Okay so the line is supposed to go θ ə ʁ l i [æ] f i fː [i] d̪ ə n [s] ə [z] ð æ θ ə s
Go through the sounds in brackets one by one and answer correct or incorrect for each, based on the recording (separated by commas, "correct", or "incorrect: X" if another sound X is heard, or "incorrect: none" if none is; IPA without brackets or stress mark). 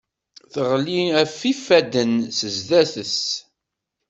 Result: correct, incorrect: æ, correct, correct